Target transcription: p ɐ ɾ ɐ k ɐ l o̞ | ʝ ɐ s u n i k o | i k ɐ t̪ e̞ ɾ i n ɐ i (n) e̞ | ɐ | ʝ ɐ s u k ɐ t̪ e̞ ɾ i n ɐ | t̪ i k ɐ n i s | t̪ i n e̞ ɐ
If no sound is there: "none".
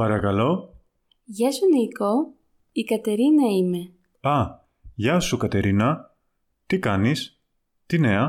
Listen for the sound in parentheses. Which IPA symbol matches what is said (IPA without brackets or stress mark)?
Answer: m